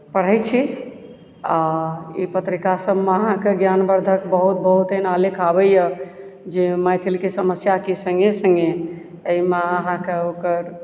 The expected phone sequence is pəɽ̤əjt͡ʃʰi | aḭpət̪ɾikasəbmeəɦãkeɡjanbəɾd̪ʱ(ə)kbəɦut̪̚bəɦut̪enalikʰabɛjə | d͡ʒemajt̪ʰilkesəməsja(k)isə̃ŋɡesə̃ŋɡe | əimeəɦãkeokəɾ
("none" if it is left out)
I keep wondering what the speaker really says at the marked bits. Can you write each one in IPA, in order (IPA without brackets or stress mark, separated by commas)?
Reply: ə, k